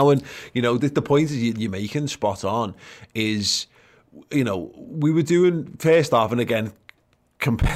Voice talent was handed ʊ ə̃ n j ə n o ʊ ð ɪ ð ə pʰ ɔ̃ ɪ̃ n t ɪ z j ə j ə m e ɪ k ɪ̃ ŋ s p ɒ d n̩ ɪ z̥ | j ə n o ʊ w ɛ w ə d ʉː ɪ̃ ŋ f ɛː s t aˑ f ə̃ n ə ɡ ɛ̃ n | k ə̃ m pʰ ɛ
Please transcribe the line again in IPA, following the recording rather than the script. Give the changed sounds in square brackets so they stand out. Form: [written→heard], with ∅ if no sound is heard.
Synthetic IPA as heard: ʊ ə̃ n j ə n o ʊ ð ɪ ð ə pʰ ɔ̃ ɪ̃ n t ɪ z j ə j ə m e ɪ k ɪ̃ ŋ s p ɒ [d→t] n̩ ɪ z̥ | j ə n o ʊ w [ɛ→i] w ə d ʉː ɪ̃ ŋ f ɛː s t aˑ f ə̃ n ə ɡ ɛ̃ n | [k→kʰ] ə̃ m pʰ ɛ